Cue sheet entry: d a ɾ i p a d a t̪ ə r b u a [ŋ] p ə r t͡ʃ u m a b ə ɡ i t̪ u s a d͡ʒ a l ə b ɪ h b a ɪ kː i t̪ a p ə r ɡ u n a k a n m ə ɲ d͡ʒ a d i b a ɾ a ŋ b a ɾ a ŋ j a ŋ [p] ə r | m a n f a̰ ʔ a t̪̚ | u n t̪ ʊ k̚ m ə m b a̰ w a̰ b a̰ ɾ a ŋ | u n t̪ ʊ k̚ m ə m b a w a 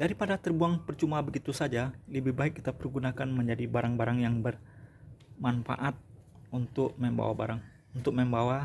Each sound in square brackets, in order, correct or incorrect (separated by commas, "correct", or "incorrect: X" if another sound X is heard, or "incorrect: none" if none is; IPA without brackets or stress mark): correct, incorrect: b